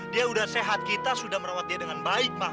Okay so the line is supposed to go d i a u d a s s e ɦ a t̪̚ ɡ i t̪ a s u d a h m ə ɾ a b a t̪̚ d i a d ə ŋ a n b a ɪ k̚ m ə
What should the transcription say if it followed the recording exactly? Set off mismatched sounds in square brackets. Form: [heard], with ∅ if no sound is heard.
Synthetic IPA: d i a u d a [h] s e ɦ a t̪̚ [k] i t̪ a s u d a h m ə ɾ a [w] a t̪̚ d i a d ə ŋ a n b a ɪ k̚ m [a]